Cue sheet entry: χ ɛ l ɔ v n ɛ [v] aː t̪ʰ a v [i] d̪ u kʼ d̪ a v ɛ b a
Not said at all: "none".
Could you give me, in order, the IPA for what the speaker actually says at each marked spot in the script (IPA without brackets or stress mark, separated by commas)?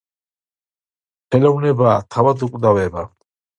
b, a